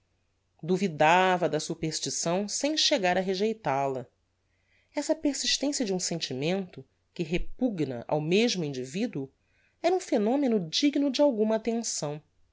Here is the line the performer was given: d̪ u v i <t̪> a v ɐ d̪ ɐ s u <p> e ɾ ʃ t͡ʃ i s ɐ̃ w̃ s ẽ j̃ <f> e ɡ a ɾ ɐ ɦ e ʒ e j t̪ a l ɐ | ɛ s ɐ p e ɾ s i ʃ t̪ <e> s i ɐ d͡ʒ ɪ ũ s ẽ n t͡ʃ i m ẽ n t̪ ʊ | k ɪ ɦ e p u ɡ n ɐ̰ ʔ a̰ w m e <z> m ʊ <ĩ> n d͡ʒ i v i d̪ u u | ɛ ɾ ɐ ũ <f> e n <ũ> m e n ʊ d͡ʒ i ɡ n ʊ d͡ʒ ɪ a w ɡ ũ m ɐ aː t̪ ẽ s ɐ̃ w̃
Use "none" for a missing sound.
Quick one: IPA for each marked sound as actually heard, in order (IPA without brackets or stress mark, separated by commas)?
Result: d̪, p, ʃ, ẽ, ʒ, ĩ, f, õ